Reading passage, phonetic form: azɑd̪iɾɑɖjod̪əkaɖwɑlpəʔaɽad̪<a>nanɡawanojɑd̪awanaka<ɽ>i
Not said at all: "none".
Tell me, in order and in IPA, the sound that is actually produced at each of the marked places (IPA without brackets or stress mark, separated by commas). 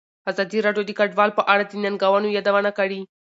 ə, ɽ